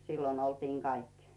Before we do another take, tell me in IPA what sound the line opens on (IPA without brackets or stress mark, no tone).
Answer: s